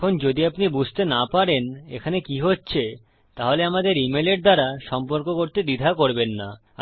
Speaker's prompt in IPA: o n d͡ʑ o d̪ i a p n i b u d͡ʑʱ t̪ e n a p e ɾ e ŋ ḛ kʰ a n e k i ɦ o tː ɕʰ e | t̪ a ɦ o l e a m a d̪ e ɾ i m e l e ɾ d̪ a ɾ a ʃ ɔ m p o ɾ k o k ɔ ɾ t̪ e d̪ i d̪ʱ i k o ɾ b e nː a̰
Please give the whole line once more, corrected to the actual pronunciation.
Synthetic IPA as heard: o n d͡ʑ o d̪ i a p n i b u d͡ʑʱ t̪ e n a p a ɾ e n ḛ kʰ a n e k i ɦ o tː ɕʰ e | t̪ a ɦ o l e a m a d̪ e ɾ i m e l e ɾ d̪ a ɾ a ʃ ɔ m p o ɾ k o k o ɾ t̪ e d̪ i d̪ʱ a k o ɾ b e nː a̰